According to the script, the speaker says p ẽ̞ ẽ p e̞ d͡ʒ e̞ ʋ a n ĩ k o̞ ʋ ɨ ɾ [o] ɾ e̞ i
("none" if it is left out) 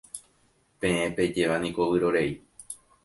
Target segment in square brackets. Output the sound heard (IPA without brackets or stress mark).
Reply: o